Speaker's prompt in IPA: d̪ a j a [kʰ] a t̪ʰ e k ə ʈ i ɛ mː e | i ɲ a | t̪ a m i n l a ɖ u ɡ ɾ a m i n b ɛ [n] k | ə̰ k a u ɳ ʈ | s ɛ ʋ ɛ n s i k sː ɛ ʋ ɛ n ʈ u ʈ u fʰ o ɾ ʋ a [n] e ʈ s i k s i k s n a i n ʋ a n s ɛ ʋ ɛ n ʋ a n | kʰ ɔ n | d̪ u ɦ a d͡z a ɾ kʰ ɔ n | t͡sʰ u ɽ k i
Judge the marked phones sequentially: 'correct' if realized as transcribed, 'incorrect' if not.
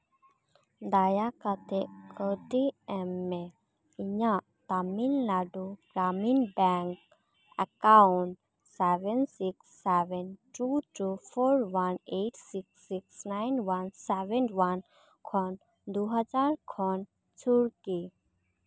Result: incorrect, incorrect, correct

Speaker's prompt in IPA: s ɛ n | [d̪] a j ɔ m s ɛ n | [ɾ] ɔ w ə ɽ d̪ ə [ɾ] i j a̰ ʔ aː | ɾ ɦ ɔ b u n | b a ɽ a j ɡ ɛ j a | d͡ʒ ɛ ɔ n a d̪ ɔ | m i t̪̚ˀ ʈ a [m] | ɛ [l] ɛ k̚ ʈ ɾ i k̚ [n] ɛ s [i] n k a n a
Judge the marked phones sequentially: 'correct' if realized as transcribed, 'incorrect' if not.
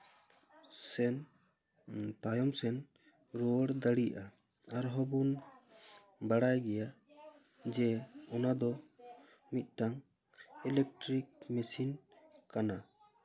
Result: incorrect, correct, incorrect, incorrect, correct, incorrect, correct

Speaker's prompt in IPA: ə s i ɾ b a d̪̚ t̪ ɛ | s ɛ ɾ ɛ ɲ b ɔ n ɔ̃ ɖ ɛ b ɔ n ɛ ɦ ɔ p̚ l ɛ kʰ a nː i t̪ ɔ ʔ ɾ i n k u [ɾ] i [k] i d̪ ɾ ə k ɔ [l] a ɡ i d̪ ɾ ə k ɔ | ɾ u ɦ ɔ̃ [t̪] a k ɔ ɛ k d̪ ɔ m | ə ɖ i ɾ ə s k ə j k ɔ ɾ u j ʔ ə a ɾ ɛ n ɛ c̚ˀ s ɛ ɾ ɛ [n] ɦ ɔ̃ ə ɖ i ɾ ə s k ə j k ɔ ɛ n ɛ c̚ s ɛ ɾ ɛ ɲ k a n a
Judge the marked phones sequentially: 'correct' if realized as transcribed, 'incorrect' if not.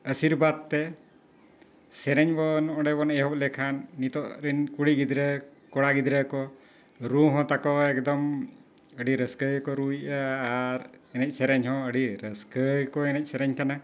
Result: incorrect, incorrect, incorrect, correct, incorrect

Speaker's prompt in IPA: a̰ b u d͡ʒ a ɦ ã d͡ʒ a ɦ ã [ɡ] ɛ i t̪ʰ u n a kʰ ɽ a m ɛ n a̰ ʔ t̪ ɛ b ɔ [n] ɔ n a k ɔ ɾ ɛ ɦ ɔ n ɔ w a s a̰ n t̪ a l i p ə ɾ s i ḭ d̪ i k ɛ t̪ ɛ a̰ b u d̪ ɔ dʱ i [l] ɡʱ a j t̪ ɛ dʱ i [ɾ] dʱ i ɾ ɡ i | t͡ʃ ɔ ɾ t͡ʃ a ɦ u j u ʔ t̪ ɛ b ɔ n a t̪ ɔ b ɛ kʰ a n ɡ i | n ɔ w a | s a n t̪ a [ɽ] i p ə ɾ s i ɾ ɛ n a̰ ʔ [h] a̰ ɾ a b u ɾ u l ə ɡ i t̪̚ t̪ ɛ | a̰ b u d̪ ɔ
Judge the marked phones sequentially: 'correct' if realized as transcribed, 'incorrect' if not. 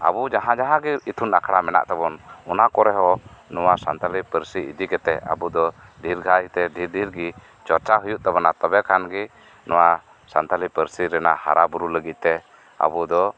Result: correct, correct, incorrect, correct, incorrect, correct

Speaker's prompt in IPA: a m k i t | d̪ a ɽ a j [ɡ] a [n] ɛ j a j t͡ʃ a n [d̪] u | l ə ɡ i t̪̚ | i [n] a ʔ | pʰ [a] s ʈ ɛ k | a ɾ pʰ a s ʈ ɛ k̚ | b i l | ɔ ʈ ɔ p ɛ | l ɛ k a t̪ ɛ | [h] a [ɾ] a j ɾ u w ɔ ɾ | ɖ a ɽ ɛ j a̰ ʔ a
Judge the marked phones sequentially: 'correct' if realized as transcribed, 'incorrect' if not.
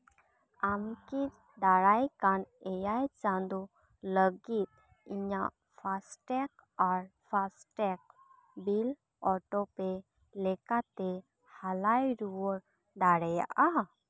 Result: incorrect, correct, correct, incorrect, correct, correct, incorrect

